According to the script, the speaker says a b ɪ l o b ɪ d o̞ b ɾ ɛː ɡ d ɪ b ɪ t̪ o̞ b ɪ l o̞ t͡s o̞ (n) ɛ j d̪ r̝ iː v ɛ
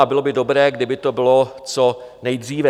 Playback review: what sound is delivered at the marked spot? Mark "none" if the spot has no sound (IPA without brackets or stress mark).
n